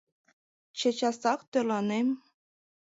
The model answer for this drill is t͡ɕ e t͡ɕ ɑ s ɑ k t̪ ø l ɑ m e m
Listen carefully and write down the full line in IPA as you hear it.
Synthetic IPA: t͡ɕ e t͡ɕ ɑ s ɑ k t̪ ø l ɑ n e m